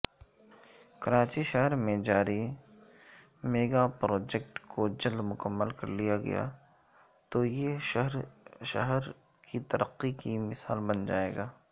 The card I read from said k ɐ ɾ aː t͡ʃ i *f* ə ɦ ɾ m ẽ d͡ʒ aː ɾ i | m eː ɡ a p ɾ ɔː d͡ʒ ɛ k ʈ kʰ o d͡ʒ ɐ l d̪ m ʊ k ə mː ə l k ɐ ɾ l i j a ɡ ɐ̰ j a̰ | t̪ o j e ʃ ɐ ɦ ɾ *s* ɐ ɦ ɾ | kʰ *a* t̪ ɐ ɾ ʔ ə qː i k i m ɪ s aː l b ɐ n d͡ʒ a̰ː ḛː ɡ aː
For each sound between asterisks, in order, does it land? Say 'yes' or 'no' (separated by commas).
no, no, no